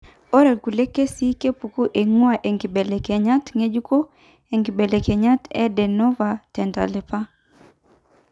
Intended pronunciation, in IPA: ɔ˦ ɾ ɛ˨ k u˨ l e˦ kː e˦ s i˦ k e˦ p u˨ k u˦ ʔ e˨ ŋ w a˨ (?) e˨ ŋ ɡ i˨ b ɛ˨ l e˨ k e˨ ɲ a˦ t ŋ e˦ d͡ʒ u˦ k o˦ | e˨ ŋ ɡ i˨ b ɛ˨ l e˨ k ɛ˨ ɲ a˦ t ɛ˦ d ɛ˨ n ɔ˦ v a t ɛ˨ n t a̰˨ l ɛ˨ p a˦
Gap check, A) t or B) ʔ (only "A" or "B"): B